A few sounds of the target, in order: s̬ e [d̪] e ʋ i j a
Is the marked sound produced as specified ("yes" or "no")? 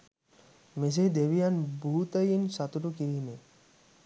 yes